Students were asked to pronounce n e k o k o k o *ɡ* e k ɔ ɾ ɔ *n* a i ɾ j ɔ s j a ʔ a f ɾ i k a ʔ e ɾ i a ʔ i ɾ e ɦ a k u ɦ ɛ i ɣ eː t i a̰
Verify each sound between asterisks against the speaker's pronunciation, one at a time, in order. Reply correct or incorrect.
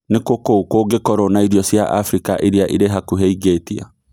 correct, correct

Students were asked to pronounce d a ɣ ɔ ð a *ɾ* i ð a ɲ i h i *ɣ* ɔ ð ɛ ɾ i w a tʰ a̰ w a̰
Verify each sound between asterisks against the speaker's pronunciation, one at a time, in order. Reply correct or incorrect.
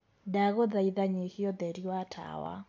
incorrect: none, incorrect: none

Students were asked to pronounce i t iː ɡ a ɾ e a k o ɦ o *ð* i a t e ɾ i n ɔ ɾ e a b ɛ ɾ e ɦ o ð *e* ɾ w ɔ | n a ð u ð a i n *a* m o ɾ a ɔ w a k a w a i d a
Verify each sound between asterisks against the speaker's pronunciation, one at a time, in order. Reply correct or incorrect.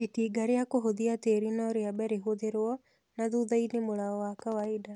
correct, correct, incorrect: e

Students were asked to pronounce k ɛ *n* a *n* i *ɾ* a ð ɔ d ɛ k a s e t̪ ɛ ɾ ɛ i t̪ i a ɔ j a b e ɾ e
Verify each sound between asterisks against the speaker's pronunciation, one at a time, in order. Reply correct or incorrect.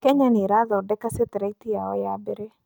incorrect: ɲ, correct, correct

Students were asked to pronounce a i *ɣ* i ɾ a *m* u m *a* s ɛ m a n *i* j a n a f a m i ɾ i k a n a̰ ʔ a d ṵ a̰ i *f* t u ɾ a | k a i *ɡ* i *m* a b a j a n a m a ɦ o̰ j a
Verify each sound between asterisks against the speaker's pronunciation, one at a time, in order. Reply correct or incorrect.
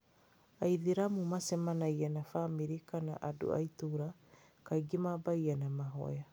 incorrect: ð, correct, correct, incorrect: a, incorrect: none, correct, correct

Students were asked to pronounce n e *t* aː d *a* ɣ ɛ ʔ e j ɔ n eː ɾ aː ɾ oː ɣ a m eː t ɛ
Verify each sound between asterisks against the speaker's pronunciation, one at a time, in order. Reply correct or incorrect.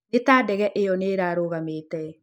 correct, incorrect: ɛ

